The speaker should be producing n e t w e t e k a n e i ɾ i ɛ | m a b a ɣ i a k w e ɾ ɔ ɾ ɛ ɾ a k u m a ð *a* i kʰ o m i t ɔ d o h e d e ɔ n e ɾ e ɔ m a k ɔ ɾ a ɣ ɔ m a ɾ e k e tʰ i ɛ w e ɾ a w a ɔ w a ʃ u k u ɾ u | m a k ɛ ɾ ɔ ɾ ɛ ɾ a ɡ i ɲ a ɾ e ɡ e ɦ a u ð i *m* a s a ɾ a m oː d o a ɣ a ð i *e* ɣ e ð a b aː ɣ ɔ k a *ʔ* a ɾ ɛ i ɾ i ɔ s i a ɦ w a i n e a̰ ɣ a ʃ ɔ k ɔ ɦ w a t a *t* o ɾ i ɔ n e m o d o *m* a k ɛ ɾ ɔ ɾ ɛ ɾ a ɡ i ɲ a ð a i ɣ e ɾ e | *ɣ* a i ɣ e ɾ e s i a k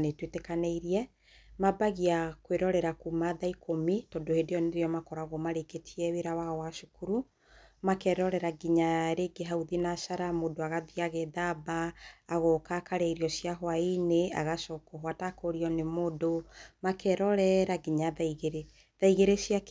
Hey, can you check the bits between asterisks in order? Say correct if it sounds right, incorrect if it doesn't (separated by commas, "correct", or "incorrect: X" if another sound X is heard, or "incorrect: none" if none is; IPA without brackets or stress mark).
correct, incorrect: n, incorrect: a, incorrect: k, incorrect: k, correct, incorrect: ð